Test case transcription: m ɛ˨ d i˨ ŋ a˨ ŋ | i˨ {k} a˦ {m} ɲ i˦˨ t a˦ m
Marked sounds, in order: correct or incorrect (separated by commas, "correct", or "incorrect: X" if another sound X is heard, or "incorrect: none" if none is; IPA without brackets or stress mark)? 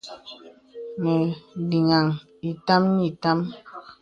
incorrect: t, correct